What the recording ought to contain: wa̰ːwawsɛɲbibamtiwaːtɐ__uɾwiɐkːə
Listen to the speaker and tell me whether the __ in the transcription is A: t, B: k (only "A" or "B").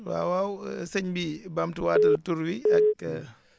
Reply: A